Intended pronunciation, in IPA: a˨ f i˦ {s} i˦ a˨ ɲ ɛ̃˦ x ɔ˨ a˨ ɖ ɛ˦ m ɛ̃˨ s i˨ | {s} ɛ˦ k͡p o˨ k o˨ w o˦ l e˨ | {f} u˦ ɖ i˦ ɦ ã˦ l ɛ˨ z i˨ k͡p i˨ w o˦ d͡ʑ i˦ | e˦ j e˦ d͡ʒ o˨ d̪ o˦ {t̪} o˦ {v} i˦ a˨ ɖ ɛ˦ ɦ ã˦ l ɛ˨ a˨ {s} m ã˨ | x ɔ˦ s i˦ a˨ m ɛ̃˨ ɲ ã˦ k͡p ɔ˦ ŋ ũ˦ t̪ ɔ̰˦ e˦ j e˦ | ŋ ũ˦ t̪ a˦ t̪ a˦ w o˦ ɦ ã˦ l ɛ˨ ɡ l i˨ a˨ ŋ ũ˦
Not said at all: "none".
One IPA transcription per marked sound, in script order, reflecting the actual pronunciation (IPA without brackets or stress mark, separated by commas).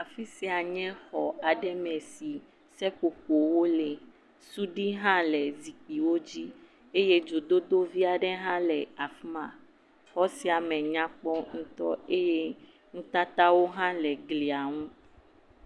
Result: s, s, s, d̪, v, f